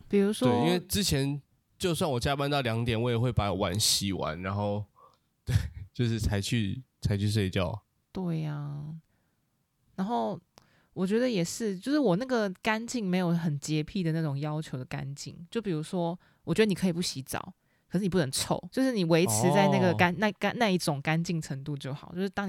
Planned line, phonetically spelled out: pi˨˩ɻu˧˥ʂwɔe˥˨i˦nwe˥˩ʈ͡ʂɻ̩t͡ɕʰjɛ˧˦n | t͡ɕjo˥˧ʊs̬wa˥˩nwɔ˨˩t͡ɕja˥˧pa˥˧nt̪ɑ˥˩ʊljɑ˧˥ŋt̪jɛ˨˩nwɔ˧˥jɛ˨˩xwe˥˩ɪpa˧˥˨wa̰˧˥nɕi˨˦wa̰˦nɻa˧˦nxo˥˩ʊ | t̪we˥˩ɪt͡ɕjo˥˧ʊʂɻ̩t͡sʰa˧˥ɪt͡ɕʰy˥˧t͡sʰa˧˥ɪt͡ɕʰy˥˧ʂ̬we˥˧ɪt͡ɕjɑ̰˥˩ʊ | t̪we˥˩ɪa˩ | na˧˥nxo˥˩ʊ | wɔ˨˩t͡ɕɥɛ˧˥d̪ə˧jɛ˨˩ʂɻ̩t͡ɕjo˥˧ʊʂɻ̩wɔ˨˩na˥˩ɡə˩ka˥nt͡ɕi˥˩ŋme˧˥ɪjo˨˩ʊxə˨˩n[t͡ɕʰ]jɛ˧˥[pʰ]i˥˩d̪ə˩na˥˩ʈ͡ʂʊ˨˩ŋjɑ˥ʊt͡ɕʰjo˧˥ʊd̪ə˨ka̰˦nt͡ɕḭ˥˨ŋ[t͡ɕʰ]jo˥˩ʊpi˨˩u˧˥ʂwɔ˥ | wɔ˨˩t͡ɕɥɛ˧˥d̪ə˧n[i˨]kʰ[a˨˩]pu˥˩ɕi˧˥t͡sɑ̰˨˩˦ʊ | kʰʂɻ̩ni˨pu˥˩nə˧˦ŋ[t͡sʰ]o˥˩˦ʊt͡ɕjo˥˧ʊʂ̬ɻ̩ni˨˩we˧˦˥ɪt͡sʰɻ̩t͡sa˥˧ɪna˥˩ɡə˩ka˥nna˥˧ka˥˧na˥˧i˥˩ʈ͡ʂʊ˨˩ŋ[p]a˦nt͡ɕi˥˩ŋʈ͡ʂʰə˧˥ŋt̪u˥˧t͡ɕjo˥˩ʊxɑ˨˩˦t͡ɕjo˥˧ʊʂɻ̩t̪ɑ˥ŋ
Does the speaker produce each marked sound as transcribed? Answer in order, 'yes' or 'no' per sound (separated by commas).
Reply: no, yes, no, yes, no, yes, no